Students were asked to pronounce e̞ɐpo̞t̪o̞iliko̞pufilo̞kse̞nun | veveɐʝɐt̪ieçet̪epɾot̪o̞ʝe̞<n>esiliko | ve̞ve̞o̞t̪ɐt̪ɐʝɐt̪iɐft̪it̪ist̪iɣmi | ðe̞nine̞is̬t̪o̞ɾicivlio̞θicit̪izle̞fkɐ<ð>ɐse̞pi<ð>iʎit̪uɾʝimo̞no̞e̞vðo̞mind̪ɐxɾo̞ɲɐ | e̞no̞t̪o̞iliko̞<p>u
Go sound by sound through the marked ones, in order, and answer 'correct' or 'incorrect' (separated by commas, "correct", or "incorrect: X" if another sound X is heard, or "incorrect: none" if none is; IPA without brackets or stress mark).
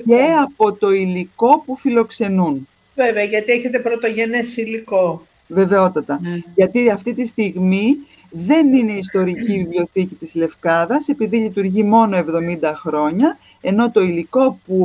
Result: correct, correct, correct, correct